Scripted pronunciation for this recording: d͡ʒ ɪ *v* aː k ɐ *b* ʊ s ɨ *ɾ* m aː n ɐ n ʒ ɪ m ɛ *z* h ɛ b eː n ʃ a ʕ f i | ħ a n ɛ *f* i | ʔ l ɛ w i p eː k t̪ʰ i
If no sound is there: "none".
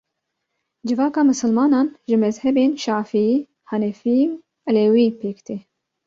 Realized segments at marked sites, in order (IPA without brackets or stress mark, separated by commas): v, m, l, z, f